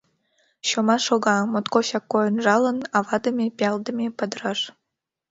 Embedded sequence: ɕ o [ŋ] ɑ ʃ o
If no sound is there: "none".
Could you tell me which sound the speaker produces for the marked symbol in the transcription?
m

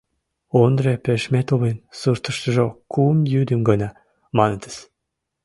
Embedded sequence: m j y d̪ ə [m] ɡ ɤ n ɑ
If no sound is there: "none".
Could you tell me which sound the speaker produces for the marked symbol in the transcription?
m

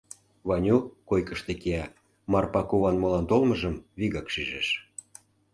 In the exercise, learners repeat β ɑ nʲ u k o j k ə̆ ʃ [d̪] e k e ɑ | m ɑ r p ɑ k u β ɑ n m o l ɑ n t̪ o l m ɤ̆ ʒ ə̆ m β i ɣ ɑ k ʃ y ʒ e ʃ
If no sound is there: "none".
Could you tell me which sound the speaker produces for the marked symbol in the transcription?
t̪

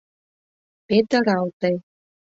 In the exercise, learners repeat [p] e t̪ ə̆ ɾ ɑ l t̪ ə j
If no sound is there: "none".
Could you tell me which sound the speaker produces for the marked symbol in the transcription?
p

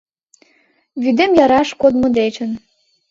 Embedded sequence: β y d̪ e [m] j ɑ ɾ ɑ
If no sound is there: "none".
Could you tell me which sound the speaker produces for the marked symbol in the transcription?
m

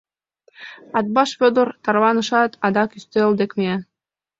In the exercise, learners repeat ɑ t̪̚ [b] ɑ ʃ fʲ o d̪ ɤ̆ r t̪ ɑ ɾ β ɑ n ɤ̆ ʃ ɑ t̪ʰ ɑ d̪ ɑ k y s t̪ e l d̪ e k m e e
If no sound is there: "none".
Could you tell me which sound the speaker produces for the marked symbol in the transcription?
b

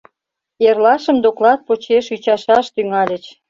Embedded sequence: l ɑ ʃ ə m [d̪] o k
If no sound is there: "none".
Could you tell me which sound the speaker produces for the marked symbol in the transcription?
d̪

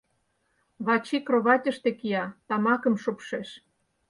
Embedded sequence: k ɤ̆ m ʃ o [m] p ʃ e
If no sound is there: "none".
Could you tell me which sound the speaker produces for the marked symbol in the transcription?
none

